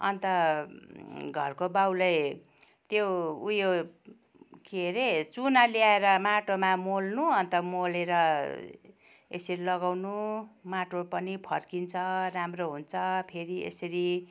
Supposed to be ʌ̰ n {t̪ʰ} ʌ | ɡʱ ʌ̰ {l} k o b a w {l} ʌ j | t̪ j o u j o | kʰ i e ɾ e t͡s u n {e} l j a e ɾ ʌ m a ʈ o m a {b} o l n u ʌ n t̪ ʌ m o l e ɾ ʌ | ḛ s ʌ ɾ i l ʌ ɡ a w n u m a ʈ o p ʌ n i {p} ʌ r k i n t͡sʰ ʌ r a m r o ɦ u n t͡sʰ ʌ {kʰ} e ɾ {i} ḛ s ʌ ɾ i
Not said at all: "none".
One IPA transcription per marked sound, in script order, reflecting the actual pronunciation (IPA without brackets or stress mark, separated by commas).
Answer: t̪, r, l, a, m, pʰ, pʰ, i